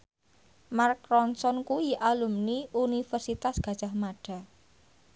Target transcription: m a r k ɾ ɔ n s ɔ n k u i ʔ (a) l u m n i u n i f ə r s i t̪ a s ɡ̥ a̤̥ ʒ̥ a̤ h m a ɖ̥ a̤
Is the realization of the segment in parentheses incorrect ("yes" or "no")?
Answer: no